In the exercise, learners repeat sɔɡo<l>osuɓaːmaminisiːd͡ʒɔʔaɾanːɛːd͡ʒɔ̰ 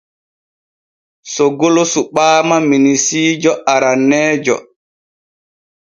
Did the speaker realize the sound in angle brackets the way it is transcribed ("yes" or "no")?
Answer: yes